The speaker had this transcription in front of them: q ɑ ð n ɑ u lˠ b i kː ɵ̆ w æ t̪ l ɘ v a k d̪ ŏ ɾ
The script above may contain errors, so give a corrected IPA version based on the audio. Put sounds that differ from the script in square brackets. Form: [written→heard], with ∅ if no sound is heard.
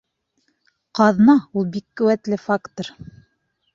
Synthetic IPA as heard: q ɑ ð n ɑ u lˠ b i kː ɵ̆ w æ t̪ l ɘ [v→f] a k [d̪→t̪] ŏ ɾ